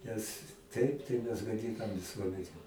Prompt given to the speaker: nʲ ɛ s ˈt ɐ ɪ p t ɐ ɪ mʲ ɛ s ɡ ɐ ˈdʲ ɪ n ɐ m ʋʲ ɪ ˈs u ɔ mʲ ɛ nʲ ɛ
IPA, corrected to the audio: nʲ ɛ s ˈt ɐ ɪ p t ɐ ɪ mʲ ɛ s ɡ ɐ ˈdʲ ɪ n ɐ m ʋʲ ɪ ˈs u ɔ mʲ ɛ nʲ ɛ